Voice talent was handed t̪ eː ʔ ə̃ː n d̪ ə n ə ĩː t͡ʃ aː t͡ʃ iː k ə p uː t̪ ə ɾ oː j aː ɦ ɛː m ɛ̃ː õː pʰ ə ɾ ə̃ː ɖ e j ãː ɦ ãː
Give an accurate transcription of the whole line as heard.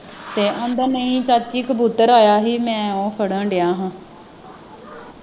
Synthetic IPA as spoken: t̪ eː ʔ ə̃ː n d̪ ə n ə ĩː t͡ʃ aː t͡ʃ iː k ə b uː t̪ ə ɾ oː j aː ɦ iː m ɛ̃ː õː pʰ ə ɽ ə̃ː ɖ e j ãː ɦ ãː